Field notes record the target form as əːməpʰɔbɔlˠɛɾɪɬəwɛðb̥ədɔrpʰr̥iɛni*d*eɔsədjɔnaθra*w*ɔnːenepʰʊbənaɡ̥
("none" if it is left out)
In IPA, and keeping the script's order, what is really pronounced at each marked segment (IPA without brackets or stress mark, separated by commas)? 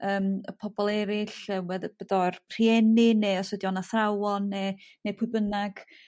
n, w